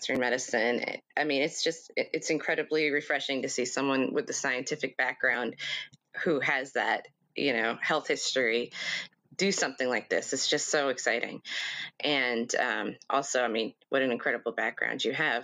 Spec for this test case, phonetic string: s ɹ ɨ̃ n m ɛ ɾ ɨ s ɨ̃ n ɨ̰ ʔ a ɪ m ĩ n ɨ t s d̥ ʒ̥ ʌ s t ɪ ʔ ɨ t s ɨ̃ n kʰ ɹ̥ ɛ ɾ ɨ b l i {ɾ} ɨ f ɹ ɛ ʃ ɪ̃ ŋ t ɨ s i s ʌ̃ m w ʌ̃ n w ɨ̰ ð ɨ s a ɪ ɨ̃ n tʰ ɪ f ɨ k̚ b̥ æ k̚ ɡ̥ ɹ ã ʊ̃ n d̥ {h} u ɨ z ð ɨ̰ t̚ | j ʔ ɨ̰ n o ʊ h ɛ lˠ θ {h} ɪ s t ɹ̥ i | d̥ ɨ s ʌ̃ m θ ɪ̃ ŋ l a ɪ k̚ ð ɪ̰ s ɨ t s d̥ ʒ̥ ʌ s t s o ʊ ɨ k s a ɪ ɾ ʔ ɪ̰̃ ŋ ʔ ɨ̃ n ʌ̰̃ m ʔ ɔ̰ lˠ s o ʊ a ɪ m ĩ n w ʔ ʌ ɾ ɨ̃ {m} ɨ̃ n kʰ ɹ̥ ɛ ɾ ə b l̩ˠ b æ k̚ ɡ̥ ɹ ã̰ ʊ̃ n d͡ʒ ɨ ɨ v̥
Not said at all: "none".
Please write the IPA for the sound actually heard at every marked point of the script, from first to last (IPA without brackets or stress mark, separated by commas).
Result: ɹ, h, h, n